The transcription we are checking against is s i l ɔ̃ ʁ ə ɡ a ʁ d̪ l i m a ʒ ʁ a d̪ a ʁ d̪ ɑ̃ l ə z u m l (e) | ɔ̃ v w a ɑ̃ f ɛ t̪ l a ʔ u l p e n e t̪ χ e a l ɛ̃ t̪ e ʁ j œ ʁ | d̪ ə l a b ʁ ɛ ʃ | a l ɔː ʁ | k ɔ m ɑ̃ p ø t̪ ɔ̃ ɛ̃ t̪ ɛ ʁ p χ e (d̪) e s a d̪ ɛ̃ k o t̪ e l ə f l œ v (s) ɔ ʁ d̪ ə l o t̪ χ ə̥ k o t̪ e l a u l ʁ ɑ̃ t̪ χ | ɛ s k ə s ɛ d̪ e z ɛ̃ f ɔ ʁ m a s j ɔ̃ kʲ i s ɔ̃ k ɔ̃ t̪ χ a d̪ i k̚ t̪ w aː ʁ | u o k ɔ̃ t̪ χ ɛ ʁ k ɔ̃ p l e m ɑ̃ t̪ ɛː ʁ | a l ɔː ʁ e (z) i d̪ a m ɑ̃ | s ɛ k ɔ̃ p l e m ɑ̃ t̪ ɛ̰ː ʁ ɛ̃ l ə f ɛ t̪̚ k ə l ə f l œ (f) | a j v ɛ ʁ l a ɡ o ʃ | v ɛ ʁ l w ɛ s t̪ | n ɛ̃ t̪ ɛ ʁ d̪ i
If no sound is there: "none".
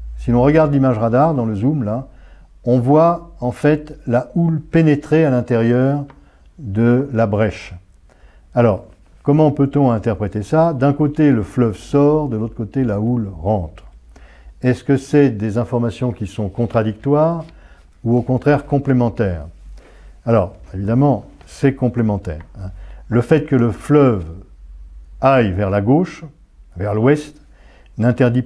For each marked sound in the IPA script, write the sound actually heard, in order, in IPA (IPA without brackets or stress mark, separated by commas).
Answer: a, t̪, s, v, v